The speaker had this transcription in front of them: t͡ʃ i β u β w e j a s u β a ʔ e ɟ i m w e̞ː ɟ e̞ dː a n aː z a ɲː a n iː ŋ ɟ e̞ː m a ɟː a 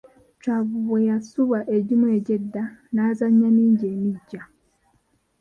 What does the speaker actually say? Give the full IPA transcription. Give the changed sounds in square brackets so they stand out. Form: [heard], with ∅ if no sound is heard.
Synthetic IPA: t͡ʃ [a] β u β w e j a s u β a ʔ e ɟ i m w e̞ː ɟ e̞ dː a n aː z a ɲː a n iː [ɲ] ɟ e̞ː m [i] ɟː a